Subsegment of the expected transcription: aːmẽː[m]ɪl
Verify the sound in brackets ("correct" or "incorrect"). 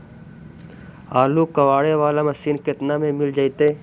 correct